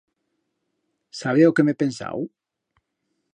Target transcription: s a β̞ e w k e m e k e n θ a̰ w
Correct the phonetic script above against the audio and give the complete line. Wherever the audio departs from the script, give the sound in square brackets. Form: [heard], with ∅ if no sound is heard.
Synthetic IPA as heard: s a β̞ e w k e m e [p] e n [s] a̰ w